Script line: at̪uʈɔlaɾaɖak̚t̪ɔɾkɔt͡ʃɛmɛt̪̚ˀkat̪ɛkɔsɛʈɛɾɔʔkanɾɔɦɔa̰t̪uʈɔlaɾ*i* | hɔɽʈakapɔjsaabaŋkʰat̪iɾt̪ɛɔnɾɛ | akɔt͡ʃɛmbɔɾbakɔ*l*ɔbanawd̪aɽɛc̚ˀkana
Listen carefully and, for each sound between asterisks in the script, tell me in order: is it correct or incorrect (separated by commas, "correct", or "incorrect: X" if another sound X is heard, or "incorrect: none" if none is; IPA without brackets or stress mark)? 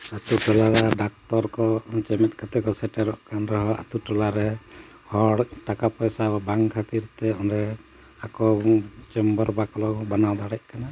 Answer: incorrect: ɛ, correct